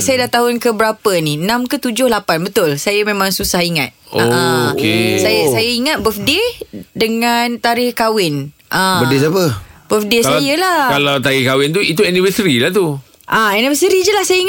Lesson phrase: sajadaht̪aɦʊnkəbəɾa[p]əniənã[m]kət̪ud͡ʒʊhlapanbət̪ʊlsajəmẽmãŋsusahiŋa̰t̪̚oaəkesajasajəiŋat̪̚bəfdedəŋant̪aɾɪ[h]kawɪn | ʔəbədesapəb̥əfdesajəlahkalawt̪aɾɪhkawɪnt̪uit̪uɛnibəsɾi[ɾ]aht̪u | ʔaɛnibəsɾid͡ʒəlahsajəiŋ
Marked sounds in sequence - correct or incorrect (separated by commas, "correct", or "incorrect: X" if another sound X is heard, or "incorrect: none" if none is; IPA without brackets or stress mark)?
correct, correct, correct, incorrect: l